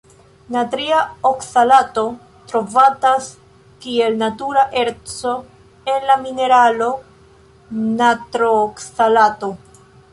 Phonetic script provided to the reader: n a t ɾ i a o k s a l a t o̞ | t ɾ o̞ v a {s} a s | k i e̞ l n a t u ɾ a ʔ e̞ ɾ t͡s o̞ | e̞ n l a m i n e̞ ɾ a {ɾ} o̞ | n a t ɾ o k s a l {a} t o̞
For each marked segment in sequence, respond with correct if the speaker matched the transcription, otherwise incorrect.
incorrect: t, incorrect: l, correct

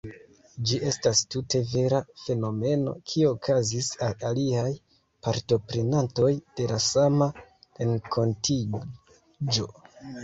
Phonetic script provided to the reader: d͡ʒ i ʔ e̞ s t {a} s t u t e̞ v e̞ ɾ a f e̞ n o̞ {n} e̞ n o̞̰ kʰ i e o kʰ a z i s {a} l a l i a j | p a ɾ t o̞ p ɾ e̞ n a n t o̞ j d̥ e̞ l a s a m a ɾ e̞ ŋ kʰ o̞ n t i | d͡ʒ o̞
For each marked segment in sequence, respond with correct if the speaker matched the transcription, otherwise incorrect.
correct, incorrect: m, correct

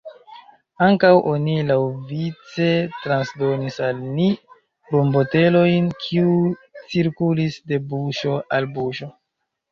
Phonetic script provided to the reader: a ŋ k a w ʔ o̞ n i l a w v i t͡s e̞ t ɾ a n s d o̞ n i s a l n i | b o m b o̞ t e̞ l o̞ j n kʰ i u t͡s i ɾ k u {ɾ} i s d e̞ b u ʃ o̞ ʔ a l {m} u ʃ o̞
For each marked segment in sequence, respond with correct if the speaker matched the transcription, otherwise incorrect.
incorrect: l, incorrect: b

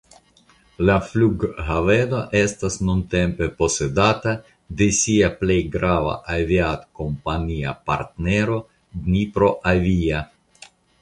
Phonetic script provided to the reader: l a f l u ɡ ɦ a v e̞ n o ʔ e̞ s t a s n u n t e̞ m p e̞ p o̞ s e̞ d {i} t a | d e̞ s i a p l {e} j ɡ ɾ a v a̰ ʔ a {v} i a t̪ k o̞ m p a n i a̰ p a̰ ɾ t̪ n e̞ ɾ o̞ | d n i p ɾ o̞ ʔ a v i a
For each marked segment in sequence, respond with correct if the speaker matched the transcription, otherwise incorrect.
incorrect: a, correct, correct

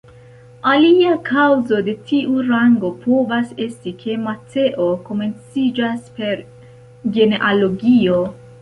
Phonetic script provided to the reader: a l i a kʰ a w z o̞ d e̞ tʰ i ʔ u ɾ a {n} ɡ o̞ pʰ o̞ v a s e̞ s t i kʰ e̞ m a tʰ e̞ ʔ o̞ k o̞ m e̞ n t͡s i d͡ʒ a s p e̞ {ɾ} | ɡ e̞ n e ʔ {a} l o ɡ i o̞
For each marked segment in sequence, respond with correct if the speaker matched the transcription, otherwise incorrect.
incorrect: ŋ, correct, correct

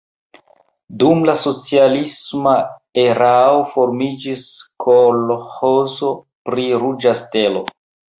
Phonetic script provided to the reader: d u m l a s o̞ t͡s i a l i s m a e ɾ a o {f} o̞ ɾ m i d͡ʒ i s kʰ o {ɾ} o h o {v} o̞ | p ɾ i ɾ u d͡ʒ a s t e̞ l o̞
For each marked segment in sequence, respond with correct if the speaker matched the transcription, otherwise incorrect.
correct, incorrect: l, incorrect: z

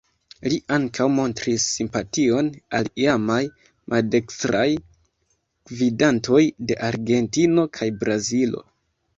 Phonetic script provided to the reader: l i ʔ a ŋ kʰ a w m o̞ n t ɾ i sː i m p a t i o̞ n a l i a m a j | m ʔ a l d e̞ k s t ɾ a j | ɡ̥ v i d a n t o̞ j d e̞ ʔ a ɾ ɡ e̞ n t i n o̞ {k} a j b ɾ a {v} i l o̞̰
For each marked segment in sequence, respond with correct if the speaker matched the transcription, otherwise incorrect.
incorrect: kʰ, incorrect: z

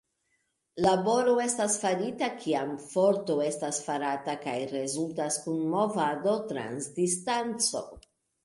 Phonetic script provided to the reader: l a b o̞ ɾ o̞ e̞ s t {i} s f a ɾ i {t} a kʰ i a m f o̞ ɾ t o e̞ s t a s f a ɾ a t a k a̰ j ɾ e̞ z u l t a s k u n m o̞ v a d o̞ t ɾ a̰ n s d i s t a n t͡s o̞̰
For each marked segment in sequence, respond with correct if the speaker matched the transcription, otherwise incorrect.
incorrect: a, correct

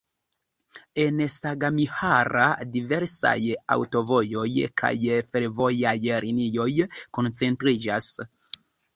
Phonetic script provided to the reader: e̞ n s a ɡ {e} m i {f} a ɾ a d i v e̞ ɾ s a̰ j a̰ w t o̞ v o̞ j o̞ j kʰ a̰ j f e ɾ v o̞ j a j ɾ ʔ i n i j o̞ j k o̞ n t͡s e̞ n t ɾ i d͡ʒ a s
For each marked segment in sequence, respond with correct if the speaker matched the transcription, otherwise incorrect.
incorrect: a, incorrect: h

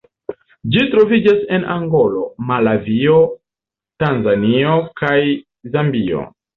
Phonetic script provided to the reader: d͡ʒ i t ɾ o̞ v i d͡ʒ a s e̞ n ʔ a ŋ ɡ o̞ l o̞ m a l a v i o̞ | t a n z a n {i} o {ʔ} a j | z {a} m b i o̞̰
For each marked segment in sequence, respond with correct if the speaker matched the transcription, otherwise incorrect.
correct, incorrect: k, correct

